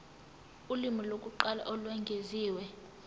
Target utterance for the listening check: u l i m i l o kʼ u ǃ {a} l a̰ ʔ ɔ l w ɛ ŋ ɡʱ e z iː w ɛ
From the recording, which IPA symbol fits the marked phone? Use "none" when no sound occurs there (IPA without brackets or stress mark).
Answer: a